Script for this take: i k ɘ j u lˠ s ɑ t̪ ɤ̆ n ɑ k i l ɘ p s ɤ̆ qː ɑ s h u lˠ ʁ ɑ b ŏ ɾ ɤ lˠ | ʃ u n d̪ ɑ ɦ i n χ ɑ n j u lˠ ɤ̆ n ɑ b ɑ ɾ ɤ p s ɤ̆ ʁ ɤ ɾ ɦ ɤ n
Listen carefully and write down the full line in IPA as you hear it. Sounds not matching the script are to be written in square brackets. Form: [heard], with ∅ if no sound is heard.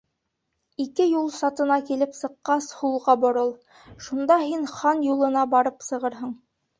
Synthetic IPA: i k ɘ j u lˠ s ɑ t̪ ɤ̆ n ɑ k i l ɘ p s ɤ̆ qː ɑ s h u lˠ ʁ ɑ b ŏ ɾ ɤ lˠ | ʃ u n d̪ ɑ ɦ i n χ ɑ n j u lˠ ɤ̆ n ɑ b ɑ ɾ ɤ p s ɤ̆ ʁ ɤ ɾ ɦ ɤ [ɴ]